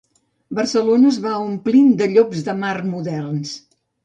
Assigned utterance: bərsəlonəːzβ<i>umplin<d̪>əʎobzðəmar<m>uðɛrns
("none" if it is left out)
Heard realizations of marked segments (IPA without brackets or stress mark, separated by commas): a, d̪, m